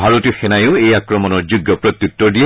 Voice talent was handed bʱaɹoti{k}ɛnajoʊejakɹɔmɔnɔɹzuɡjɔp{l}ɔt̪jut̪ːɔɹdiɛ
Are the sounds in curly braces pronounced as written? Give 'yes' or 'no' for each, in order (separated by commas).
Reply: no, no